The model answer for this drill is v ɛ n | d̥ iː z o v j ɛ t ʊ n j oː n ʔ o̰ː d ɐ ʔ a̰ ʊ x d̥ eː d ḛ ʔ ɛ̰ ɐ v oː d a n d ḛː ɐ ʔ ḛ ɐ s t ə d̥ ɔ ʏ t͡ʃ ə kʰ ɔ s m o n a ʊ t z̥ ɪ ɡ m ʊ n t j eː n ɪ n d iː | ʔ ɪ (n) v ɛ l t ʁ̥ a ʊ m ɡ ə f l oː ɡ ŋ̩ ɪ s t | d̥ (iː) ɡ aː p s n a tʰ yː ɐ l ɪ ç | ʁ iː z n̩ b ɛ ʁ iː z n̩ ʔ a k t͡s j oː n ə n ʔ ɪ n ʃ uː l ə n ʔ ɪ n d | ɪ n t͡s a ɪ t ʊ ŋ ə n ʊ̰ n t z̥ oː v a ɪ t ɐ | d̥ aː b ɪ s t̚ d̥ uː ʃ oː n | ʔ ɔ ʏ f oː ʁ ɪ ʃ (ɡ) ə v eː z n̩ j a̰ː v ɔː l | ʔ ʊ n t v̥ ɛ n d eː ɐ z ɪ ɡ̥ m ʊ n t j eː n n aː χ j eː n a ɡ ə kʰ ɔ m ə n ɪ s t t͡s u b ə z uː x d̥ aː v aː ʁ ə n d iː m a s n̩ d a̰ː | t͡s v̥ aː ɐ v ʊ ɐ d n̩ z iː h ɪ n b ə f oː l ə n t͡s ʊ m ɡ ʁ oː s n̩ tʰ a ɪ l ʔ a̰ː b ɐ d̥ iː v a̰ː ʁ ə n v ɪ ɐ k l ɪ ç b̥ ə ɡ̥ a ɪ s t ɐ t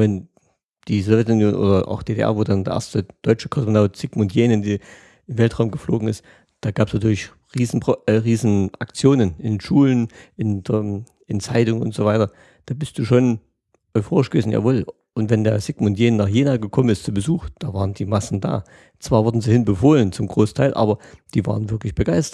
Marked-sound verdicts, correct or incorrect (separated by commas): incorrect, incorrect, correct